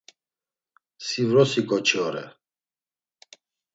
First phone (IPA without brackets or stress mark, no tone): s